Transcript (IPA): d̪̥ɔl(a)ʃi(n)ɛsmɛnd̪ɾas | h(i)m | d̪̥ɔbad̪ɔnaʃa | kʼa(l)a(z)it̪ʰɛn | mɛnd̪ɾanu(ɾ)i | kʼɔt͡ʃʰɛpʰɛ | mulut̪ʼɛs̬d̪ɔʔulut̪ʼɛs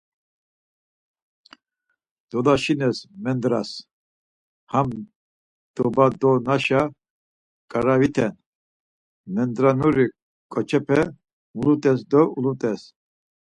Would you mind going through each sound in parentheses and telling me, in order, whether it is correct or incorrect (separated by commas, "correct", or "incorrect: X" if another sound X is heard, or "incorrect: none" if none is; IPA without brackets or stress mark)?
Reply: correct, correct, incorrect: a, incorrect: ɾ, incorrect: v, correct